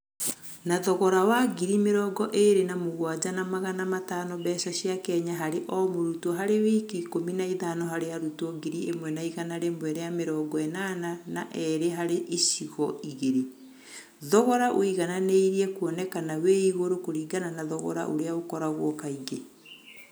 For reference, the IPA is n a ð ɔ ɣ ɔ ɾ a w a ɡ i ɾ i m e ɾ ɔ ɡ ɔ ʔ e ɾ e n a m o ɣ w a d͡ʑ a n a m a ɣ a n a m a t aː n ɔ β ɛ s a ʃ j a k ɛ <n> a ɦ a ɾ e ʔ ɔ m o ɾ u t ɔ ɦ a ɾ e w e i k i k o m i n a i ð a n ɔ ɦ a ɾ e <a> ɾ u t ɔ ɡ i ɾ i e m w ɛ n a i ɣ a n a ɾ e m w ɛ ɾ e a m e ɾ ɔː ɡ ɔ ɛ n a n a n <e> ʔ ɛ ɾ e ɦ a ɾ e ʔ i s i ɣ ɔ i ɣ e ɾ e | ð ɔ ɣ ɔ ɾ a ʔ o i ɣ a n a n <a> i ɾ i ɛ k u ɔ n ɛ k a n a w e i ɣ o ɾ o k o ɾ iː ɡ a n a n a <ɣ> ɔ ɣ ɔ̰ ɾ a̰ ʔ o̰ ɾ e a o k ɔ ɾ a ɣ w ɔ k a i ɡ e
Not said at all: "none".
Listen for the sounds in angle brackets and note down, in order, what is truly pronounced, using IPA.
ɲ, a, a, e, ð

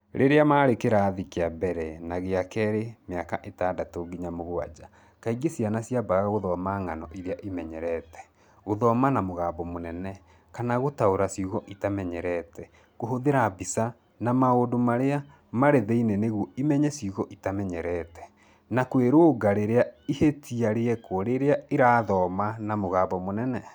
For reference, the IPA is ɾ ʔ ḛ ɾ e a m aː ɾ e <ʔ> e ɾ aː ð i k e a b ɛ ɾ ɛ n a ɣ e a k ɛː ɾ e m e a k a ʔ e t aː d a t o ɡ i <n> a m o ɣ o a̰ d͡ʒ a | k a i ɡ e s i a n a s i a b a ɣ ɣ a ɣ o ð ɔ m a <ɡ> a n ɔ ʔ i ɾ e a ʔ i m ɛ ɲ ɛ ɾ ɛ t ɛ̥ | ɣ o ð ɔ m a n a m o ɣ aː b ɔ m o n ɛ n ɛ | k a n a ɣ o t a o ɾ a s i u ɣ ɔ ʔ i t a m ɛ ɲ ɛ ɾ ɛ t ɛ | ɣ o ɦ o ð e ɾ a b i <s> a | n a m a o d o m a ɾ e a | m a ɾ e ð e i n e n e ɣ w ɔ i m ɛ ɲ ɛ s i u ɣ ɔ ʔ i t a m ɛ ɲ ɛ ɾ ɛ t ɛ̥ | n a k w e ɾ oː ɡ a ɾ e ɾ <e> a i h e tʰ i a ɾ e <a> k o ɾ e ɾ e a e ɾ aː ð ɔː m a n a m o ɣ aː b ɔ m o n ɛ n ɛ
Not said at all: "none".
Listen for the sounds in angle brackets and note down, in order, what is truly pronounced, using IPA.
k, ɲ, ŋ, s, e, ɛ

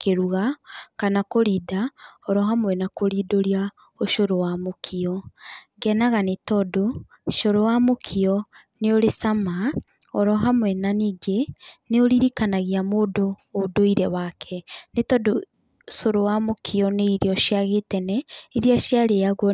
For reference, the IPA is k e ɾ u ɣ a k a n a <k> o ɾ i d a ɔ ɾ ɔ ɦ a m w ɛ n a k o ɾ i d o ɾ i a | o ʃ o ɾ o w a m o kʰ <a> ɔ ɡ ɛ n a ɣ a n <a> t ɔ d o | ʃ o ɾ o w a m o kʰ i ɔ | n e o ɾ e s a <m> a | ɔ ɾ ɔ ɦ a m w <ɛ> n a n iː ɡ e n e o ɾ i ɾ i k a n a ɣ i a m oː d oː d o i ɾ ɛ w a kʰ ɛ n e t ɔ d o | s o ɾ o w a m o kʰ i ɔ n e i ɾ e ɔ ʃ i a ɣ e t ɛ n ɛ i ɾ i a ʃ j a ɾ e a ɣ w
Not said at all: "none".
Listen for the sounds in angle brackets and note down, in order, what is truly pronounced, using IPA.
k, i, e, m, ɛ

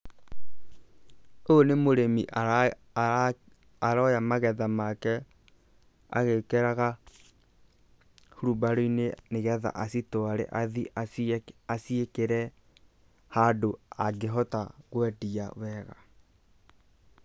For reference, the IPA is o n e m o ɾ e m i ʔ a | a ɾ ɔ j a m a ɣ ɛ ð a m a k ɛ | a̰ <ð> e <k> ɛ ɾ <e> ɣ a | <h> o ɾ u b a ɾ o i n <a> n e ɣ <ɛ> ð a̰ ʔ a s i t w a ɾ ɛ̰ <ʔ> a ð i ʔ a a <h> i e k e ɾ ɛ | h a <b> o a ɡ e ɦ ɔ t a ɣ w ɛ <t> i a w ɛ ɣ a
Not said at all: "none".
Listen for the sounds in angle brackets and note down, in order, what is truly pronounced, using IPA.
ɣ, k, a, h, e, ɛ, ʔ, s, d, d

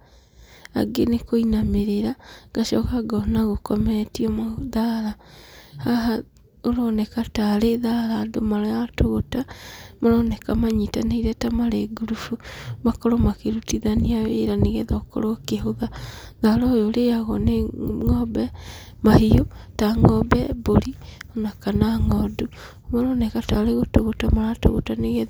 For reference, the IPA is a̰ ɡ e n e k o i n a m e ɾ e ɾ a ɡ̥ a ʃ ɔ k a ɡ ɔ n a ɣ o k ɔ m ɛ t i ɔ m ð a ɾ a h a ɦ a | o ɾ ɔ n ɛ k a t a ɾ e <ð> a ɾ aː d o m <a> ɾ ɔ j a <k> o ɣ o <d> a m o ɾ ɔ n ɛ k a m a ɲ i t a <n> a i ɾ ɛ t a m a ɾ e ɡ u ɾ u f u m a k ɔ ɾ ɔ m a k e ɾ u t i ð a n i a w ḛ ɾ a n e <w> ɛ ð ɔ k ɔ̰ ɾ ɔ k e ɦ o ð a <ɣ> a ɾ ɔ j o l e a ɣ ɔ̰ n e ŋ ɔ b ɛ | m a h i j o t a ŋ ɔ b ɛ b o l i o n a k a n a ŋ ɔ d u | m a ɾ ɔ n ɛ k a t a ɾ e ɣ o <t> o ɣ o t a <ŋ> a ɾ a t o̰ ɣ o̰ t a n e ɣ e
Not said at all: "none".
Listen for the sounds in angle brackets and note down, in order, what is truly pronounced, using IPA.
ð, a, t, t, n, ɣ, ð, t, m

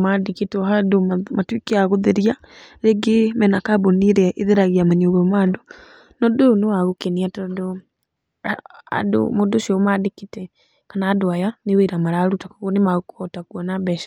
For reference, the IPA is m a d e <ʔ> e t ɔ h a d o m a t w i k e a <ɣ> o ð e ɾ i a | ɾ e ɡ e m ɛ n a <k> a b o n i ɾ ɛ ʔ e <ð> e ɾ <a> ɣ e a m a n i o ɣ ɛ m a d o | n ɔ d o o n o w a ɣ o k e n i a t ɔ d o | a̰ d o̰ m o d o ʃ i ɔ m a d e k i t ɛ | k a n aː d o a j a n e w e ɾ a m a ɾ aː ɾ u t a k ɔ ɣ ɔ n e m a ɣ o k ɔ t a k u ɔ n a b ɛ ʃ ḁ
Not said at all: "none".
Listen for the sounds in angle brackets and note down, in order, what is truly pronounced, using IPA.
k, ɣ, k, ð, a

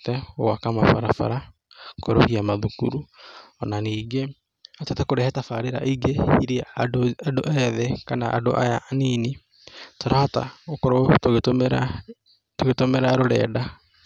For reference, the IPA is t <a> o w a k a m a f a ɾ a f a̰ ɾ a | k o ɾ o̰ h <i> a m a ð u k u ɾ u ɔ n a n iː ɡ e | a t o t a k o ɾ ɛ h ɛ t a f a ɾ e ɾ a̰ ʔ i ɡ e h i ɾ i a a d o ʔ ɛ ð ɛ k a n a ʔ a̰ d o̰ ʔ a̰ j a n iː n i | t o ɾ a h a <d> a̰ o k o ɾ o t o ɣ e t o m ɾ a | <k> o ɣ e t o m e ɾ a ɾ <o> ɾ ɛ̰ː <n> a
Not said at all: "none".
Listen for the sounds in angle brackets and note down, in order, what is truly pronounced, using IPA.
ɛ, i, t, t, o, d

